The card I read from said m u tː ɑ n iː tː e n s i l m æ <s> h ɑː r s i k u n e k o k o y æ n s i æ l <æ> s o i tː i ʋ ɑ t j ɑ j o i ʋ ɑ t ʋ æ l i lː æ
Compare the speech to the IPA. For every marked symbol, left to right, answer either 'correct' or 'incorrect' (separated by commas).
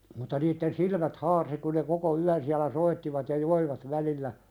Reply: incorrect, correct